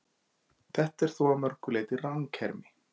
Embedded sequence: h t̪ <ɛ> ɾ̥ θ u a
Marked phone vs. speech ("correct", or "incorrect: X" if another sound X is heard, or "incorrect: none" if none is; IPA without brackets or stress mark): correct